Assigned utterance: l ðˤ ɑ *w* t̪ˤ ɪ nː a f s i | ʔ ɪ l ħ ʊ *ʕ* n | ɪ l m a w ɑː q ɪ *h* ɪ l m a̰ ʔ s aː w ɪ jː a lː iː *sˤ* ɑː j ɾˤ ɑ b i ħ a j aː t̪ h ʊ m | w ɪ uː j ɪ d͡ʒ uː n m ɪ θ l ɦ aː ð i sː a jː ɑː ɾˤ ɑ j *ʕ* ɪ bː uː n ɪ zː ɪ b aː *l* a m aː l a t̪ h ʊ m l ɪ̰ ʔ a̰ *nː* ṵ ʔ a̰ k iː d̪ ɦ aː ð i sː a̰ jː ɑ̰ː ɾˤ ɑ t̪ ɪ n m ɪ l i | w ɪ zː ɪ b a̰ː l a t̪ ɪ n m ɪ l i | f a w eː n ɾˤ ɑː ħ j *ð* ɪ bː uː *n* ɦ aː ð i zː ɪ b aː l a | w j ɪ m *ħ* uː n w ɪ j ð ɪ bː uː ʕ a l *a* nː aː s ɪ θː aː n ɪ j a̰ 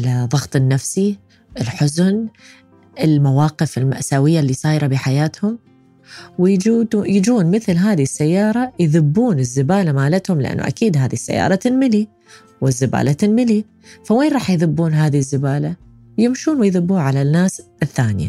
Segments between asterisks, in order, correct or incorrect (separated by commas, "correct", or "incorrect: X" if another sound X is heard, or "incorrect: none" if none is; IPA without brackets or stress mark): incorrect: ɣ, incorrect: z, incorrect: f, correct, incorrect: ð, correct, correct, correct, correct, incorrect: ʃ, correct